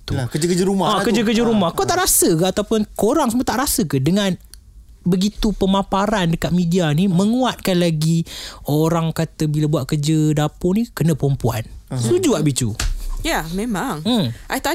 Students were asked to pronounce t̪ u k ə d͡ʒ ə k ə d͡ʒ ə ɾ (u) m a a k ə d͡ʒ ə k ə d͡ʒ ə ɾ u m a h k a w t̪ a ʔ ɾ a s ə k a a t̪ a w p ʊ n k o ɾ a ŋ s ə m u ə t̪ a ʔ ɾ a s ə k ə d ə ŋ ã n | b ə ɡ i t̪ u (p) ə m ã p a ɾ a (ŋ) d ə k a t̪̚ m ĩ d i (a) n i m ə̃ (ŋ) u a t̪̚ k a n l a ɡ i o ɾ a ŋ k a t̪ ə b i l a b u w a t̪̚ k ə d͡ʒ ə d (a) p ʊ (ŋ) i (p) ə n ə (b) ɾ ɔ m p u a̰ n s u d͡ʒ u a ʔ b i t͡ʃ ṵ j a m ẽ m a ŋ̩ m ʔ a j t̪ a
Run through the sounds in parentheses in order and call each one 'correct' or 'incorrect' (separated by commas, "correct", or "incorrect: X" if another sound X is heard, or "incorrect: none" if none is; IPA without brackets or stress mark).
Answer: correct, correct, incorrect: n, correct, correct, correct, incorrect: n, incorrect: k, incorrect: p